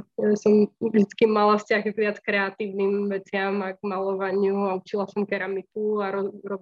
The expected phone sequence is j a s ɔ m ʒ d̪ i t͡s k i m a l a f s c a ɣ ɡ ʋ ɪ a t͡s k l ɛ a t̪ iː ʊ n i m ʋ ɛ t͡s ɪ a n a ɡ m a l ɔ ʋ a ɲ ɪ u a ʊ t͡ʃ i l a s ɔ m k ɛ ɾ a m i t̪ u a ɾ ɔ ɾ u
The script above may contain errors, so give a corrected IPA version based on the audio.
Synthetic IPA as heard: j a s ɔ m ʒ d̪ i t͡s k i m a l a f s c a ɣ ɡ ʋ ɪ a t͡s k ɾ ɛ a t̪ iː ʊ n i m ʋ ɛ t͡s ɪ a m a ɡ m a l ɔ ʋ a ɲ ɪ u a u t͡ʃ i l a s ɔ m k ɛ ɾ a m i t̪ u a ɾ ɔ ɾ ɔ